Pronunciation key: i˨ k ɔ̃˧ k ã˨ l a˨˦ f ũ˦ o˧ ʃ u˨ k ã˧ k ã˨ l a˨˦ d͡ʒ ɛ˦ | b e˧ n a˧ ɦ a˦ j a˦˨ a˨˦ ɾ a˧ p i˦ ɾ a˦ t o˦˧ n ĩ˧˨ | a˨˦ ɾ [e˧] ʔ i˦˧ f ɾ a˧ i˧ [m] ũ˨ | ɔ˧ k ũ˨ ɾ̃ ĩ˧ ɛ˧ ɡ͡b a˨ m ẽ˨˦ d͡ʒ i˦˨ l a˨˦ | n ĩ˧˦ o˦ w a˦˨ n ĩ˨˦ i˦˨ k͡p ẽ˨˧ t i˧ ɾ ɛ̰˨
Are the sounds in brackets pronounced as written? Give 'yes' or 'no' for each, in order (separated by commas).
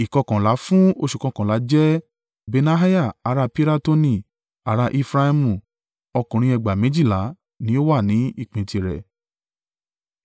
no, yes